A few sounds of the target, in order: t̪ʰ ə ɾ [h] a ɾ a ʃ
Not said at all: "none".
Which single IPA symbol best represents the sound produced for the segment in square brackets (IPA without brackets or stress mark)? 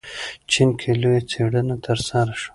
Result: s